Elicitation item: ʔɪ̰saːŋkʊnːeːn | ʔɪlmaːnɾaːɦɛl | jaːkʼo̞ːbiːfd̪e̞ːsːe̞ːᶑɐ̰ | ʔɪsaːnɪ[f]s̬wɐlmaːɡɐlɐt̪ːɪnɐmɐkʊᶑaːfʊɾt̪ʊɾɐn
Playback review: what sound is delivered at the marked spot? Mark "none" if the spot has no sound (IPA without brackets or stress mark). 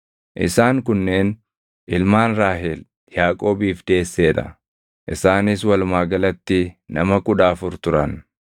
none